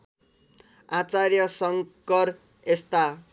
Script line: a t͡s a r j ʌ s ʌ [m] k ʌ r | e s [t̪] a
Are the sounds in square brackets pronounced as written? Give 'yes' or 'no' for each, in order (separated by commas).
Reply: no, yes